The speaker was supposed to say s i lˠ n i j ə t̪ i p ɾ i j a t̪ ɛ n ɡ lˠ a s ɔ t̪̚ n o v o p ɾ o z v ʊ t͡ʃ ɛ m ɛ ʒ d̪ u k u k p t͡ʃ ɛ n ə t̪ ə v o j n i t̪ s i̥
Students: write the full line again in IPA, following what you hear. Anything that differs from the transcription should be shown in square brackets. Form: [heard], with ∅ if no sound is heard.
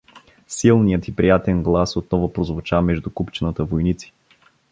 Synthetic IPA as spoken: s i lˠ n i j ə t̪ i p ɾ i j a t̪ ɛ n ɡ lˠ a s [o] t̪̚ n [ɔ] v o p ɾ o z v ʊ t͡ʃ [a] m ɛ ʒ d̪ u k u [∅] p t͡ʃ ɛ n ə t̪ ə v o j n i t̪ s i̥